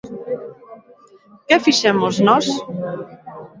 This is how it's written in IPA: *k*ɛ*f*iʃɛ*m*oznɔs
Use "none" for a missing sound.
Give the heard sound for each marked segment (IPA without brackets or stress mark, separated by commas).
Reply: k, f, m